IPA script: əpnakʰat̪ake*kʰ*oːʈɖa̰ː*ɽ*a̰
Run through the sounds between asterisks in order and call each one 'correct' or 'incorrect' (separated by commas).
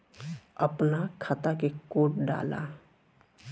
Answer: incorrect, incorrect